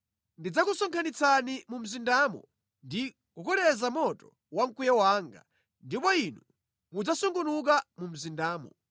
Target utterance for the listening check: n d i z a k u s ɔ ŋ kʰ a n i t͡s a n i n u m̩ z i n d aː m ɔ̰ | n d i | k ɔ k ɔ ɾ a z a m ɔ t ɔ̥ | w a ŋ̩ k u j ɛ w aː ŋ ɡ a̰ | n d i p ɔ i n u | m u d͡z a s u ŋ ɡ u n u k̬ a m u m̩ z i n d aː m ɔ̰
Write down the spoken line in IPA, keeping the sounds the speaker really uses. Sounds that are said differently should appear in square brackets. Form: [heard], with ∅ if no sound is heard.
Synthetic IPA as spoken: n d i [d͡z] a k u s ɔ ŋ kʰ a n i t͡s a n i [m] u m̩ z i n d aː m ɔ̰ | n d i | k [u] k ɔ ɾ [ɛ] z a m ɔ t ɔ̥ | w a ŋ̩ k u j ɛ w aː ŋ ɡ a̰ | n d i p ɔ i n u | m u d͡z a s u ŋ ɡ u n u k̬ a m u m̩ z i n d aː m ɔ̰